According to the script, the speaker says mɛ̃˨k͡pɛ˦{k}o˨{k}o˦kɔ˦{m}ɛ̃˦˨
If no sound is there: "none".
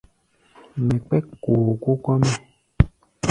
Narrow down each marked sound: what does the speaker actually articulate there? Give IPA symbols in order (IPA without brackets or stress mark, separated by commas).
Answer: k, k, m